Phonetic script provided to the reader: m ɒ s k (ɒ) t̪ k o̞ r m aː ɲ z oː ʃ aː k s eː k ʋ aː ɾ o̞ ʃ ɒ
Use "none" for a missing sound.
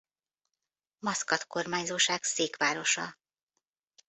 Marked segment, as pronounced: ɒ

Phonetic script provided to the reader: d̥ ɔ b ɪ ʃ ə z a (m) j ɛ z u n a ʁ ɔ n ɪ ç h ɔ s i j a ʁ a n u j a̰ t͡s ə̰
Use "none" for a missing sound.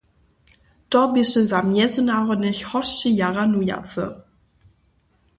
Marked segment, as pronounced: m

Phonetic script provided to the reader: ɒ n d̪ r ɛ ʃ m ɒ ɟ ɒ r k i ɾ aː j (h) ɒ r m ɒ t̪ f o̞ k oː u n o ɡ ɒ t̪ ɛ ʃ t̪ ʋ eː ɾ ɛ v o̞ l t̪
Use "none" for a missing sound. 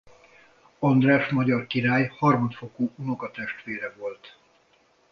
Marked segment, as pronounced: h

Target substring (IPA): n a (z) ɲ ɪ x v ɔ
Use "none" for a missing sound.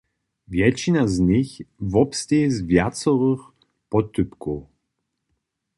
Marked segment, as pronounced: z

